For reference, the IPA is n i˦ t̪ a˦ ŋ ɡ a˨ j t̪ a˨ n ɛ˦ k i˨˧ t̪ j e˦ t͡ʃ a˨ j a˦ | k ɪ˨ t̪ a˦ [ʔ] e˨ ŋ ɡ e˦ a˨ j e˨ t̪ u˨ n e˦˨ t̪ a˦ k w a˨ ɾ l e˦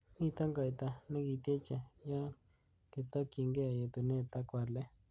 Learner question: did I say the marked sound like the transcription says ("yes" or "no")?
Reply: no